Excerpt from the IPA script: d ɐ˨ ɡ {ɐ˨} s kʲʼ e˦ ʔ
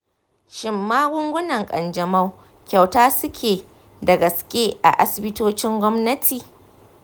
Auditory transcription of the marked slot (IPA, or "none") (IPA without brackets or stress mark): ɐ˨